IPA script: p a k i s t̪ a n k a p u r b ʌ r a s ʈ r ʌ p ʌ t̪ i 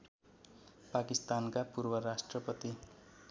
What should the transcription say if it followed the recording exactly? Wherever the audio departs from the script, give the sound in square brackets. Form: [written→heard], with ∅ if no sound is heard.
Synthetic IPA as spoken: p a k i s t̪ a n k a p u r b ʌ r a s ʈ r ʌ p ʌ t̪ i